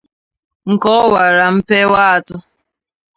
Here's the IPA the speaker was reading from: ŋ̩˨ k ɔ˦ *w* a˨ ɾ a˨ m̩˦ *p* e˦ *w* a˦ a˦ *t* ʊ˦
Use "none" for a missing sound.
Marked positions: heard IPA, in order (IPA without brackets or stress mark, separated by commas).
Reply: w, p, w, t